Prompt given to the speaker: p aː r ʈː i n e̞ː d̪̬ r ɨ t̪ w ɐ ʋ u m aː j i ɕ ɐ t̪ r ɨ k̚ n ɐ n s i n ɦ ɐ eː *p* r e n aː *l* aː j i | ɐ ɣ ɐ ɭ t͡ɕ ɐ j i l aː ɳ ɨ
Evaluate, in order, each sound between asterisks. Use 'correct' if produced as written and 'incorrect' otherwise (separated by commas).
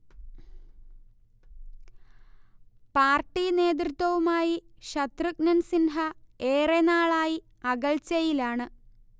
incorrect, incorrect